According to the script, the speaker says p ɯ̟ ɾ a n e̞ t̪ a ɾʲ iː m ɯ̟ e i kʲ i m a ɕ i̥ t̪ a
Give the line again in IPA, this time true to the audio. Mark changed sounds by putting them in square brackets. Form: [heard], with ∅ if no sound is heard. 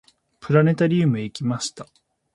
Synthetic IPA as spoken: p ɯ̟ ɾ a n e̞ t̪ a ɾʲ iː m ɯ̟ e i kʲ i m a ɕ i̥ t̪ a